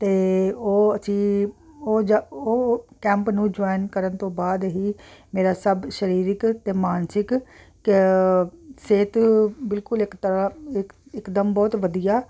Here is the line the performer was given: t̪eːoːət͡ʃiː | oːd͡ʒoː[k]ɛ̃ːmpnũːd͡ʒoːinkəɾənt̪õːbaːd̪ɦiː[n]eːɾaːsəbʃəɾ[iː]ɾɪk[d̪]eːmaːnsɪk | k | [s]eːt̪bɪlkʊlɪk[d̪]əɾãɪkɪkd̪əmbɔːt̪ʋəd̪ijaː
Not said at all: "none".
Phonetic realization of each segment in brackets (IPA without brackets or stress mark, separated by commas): k, m, iː, t̪, s, t̪